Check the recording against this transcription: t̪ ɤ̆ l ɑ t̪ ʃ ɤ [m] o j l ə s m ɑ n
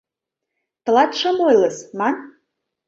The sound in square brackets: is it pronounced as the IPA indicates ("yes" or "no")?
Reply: yes